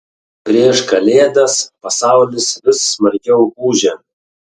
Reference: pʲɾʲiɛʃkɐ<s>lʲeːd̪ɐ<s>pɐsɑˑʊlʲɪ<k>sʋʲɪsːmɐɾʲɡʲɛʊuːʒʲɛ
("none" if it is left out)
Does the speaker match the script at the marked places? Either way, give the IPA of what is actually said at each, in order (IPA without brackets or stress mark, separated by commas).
none, s, none